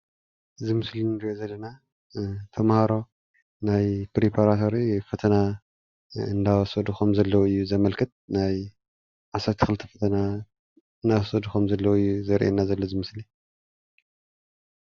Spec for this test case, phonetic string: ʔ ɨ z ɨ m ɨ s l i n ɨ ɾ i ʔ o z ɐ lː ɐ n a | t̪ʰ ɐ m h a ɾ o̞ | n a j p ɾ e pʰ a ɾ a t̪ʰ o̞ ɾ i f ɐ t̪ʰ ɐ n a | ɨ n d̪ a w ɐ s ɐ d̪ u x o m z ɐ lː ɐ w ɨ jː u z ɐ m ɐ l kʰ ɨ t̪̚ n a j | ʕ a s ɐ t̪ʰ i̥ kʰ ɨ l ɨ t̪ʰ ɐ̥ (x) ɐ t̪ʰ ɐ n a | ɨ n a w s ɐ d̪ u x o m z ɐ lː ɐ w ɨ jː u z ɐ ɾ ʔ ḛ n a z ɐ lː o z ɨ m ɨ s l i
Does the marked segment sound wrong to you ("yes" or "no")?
yes